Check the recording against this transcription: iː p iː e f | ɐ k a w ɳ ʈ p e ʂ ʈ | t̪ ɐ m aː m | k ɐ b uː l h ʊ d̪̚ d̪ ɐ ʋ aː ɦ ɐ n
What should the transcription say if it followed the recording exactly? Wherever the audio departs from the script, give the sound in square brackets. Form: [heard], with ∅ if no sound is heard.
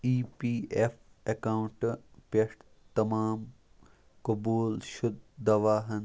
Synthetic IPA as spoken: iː p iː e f | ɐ k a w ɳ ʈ p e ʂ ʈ | t̪ ɐ m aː m | k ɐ b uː l [ʃ] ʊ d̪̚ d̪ ɐ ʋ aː ɦ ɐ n